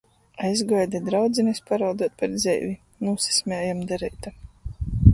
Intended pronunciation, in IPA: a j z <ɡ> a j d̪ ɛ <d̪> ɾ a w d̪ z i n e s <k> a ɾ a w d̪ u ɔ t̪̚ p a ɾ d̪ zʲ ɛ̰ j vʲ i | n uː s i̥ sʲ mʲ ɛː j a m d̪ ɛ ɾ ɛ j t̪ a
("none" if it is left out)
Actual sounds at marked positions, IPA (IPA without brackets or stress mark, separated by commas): ɡ, d̪, p